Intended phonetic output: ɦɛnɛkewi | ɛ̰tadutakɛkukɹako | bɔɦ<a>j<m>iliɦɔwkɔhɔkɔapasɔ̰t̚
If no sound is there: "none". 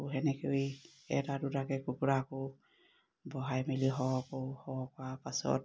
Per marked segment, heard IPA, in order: a, m

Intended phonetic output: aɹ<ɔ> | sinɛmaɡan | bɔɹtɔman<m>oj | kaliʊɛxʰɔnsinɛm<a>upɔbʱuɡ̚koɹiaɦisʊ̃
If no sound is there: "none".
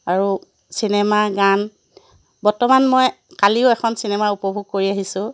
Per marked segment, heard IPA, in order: u, m, a

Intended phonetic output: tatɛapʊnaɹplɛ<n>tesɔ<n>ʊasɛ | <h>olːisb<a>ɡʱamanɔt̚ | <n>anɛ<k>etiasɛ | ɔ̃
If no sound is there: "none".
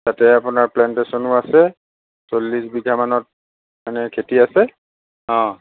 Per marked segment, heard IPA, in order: n, n, s, i, m, kʰ

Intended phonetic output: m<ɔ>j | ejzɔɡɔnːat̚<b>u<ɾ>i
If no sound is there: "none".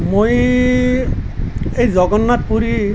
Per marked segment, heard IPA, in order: o, p, ɾ

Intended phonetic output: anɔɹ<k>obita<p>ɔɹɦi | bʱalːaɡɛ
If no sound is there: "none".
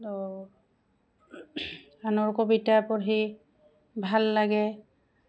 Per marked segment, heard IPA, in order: k, p

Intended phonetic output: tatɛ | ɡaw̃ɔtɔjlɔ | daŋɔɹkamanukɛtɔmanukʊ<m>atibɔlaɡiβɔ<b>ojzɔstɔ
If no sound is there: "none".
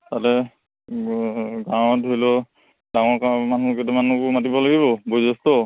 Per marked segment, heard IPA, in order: m, b

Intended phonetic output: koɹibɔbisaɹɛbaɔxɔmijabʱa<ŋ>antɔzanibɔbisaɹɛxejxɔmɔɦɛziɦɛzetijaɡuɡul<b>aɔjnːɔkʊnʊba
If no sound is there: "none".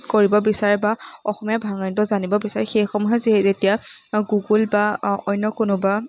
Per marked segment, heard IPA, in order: ŋ, b

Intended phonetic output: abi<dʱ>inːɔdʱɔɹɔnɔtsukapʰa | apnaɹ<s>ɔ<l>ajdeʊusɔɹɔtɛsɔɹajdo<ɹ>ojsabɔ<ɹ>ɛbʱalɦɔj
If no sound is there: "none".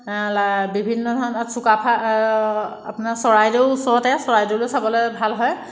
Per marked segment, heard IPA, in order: bʱ, s, ɹ, l, l

